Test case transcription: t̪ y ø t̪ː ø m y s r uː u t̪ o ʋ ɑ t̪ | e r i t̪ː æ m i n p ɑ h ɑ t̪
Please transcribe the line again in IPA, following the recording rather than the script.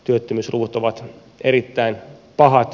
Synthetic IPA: t̪ y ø t̪ː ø m y s r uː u t̪ o ʋ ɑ t̪ | e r i t̪ː æ i n p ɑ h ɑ t̪